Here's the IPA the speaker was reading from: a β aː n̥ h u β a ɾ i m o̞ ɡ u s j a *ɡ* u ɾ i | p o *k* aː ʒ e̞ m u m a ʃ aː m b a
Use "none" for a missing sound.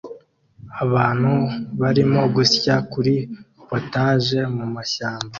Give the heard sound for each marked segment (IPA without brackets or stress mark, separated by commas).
k, t